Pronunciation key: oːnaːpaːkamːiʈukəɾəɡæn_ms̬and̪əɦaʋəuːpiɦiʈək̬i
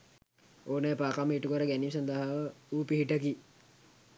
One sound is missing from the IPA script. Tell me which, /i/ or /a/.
i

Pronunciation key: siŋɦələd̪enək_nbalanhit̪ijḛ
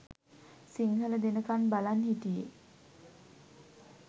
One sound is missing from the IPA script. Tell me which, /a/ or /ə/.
a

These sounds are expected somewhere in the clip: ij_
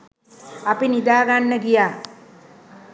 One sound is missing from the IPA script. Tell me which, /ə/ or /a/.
a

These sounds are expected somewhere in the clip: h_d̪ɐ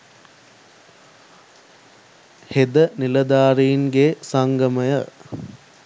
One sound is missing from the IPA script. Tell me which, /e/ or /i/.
e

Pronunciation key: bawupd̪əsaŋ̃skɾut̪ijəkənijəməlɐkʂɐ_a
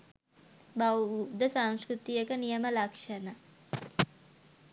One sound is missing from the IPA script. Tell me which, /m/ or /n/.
n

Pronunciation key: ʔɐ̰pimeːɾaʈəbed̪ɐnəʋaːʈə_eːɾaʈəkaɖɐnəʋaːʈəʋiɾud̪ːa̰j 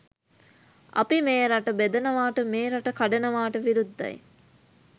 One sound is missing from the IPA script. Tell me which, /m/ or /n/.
m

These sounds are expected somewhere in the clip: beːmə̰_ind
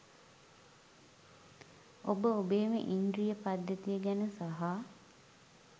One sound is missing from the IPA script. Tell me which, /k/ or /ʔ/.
ʔ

